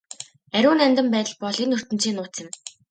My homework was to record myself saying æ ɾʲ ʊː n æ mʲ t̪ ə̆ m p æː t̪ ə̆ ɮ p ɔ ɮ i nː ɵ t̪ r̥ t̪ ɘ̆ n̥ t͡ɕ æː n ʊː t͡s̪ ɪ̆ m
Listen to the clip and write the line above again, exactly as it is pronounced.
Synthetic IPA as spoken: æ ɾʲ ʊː n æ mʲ t̪ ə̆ m p æː t̪ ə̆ ɮ p ɔ ɮ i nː ɵ r̥ t̪ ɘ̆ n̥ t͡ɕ iː n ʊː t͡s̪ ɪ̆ m